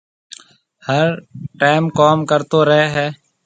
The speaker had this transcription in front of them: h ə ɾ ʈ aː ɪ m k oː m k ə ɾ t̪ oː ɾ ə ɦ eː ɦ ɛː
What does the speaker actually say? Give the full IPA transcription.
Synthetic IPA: h ə ɾ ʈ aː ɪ m k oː m k ə ɾ t̪ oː ɾ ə ɦ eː ɦ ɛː